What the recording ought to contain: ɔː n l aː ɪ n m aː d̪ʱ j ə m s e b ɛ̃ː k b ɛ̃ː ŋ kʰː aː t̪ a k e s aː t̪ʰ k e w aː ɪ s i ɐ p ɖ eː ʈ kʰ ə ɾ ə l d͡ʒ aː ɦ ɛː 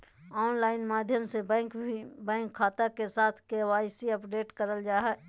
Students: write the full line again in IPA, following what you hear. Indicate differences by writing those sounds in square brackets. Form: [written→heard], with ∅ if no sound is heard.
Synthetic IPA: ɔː n l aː ɪ n m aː d̪ʱ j ə m s e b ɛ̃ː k b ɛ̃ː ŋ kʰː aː t̪ a k e s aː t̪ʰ k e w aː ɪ s i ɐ p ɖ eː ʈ [kʰ→k] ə ɾ ə l d͡ʒ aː ɦ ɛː